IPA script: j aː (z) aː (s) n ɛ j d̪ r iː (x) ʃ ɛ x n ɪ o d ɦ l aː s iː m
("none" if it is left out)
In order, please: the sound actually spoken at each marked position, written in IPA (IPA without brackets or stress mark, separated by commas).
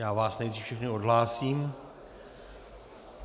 v, s, f